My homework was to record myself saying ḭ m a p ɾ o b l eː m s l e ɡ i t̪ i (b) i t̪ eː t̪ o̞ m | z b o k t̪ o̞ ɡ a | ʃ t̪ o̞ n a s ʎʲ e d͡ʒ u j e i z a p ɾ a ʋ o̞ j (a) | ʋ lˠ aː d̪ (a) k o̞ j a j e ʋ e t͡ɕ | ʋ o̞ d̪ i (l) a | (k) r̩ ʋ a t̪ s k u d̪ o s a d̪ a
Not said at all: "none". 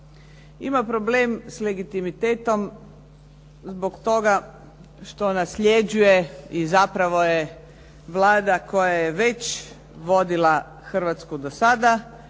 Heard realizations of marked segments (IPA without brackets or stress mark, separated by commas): m, e, a, l, x